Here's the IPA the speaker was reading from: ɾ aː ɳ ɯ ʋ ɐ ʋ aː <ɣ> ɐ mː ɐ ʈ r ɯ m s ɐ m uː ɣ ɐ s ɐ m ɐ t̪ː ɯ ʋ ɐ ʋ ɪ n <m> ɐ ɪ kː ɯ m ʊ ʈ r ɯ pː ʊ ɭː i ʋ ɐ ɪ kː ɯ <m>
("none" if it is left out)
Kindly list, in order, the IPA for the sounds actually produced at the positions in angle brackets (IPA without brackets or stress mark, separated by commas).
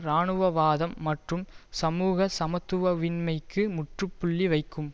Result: ð, m, m